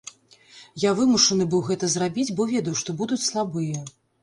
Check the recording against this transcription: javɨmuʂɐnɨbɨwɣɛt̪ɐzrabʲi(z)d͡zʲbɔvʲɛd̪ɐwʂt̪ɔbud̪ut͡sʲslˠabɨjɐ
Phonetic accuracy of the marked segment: incorrect: none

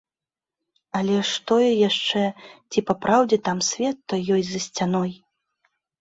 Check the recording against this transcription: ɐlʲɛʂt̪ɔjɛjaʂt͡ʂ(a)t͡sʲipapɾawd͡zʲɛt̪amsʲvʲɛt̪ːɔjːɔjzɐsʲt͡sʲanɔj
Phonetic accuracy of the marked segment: incorrect: ɛ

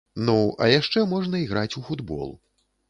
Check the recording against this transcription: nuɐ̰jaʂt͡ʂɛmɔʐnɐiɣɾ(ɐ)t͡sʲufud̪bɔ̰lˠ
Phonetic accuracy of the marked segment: incorrect: a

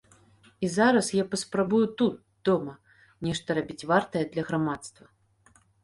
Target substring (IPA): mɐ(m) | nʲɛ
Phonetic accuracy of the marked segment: incorrect: none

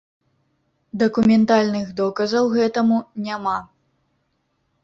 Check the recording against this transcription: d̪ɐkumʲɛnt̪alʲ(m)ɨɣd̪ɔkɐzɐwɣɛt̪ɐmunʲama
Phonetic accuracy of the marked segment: incorrect: n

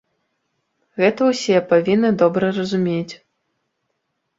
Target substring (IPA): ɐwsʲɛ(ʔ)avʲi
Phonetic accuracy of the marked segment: incorrect: p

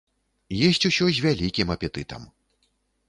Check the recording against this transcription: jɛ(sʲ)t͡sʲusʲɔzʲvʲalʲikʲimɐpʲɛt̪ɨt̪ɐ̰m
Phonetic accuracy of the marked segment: correct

